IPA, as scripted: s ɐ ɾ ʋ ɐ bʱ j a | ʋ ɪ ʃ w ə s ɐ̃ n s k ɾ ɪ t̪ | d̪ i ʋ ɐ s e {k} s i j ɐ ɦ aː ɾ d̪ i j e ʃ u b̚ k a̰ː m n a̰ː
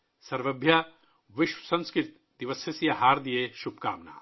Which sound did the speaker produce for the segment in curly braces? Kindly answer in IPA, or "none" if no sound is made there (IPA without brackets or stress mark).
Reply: none